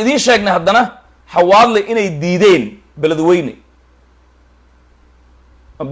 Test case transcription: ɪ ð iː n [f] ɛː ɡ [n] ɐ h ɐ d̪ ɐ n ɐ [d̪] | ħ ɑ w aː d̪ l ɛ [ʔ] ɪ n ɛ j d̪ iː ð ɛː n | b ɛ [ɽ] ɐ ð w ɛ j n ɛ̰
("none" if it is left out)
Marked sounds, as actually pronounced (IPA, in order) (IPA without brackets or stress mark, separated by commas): ʃ, n, none, ʔ, l